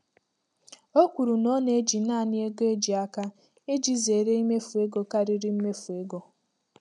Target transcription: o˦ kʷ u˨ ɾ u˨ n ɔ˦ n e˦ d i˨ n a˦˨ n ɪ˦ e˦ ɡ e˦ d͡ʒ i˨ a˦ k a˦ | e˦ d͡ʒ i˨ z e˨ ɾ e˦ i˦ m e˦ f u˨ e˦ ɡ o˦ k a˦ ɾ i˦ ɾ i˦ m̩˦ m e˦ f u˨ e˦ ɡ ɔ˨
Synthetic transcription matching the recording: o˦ kʷ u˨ ɾ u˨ n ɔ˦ n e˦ d͡ʒ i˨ n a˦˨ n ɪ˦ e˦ ɡ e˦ d͡ʒ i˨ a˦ k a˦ | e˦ d͡ʒ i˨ z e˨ ɾ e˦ i˦ m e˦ f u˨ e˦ ɡ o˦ k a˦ ɾ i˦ ɾ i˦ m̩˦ m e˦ f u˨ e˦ ɡ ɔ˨